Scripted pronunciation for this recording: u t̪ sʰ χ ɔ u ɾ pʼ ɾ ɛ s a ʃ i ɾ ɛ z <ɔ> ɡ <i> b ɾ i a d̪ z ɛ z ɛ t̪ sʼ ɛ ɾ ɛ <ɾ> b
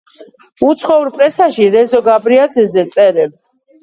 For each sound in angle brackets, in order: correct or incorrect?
correct, incorrect, incorrect

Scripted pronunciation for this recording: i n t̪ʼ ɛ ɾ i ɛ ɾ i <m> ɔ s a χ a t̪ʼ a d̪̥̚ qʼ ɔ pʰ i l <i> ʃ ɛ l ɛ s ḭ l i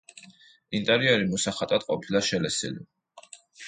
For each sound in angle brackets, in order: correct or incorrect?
correct, incorrect

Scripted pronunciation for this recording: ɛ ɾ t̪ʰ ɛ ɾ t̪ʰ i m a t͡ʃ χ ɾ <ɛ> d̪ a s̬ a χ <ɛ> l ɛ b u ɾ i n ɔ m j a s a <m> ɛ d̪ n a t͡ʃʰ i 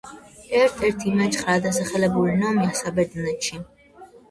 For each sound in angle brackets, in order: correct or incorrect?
incorrect, correct, incorrect

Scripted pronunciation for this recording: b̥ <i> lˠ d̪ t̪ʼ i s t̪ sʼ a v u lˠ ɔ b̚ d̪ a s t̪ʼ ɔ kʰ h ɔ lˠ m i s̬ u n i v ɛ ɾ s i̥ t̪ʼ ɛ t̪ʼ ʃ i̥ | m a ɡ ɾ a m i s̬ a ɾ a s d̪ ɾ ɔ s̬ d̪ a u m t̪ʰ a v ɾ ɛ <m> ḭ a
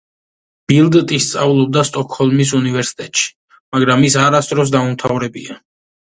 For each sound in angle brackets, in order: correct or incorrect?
correct, incorrect

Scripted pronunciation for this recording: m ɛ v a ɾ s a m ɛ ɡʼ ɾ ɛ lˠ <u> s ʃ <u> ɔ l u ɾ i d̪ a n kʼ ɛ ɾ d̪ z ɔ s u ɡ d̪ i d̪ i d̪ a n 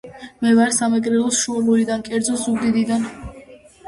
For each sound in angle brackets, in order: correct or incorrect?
incorrect, correct

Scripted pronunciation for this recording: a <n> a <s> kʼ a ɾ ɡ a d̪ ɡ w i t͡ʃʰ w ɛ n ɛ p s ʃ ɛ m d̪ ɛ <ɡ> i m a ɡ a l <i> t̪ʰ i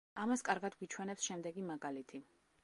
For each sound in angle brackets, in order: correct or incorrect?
incorrect, correct, correct, correct

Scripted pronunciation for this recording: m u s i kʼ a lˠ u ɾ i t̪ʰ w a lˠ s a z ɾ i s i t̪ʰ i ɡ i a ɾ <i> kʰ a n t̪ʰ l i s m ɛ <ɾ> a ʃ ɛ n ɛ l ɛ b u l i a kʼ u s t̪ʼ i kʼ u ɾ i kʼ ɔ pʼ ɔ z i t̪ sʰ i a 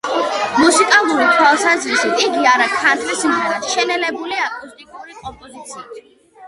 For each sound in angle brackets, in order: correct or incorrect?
incorrect, correct

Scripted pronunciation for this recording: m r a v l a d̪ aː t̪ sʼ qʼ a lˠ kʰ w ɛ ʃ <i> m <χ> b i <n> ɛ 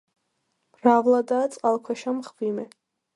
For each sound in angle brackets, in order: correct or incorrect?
incorrect, correct, incorrect

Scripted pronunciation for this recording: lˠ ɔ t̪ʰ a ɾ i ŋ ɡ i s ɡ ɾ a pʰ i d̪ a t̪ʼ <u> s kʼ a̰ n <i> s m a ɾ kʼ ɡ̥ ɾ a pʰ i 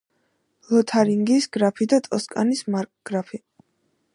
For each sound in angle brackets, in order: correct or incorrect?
incorrect, correct

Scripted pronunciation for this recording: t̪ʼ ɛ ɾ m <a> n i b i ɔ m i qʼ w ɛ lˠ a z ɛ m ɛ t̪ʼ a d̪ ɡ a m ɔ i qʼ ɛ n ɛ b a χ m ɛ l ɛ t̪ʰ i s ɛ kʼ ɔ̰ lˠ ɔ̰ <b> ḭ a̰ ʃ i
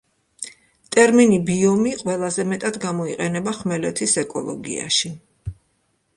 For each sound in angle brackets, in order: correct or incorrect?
incorrect, incorrect

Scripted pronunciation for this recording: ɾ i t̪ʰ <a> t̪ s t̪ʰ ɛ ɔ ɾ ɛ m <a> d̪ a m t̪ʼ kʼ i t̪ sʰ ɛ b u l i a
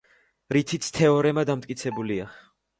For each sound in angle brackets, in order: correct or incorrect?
incorrect, correct

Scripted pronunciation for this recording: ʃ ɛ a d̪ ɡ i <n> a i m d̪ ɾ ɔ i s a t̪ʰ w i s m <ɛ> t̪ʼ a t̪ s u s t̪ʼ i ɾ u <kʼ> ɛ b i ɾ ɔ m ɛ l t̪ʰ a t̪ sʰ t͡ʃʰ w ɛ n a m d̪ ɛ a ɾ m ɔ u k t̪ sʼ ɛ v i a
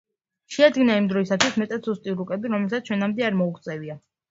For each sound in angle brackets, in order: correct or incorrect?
correct, correct, correct

